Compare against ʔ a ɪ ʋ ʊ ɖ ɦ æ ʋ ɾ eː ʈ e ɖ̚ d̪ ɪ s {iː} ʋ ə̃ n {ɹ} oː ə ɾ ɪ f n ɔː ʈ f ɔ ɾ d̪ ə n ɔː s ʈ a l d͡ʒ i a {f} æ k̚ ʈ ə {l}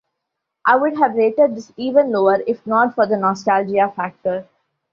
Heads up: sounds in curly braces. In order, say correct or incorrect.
correct, incorrect: l, correct, incorrect: ɾ

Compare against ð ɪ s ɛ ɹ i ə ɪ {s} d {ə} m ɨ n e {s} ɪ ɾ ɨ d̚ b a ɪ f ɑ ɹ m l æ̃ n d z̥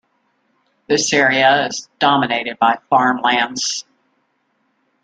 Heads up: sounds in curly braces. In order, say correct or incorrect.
incorrect: z, incorrect: ɑ, incorrect: none

